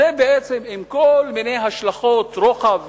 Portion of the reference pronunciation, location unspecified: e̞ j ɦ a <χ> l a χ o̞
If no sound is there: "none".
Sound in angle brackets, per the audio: ʃ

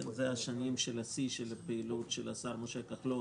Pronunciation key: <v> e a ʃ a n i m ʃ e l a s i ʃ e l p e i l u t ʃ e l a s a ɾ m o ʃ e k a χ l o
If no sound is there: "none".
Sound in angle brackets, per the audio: z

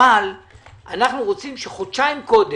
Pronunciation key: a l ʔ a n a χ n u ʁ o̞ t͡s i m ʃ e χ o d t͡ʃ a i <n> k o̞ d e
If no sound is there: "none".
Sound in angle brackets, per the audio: m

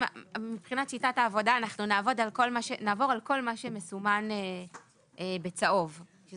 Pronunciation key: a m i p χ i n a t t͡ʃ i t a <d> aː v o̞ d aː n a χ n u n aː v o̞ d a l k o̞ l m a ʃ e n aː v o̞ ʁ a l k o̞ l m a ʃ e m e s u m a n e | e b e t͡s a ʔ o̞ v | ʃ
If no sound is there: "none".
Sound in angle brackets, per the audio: t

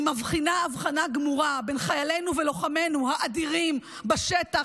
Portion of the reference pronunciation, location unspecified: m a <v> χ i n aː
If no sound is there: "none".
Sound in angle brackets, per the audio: v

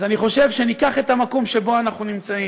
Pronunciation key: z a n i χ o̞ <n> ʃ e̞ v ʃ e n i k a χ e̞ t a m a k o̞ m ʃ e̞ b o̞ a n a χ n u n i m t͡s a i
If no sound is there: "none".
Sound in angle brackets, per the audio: none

